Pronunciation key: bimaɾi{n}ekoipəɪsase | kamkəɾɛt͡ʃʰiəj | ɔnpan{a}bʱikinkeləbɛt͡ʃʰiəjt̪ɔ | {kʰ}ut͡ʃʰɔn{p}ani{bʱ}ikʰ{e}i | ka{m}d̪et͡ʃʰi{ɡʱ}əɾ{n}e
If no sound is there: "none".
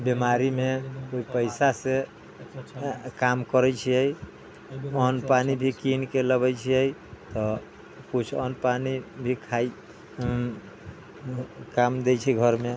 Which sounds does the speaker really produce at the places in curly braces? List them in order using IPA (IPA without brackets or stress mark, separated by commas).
m, i, k, p, bʱ, a, m, ɡʱ, m